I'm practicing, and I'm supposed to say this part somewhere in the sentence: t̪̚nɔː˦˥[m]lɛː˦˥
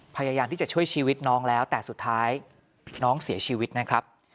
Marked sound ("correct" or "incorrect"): incorrect